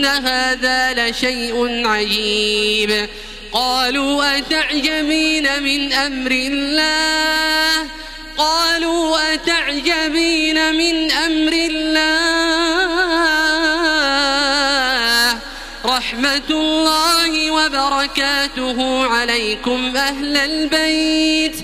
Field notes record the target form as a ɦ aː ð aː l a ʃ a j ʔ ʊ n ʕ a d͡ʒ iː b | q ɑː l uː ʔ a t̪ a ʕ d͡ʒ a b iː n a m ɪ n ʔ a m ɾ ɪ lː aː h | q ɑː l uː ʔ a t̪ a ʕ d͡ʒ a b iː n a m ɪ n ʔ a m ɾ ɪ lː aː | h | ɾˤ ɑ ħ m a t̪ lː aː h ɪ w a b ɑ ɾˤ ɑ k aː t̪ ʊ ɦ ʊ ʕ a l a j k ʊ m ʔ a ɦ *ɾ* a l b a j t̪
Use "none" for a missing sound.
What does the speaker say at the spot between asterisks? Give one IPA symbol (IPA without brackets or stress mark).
l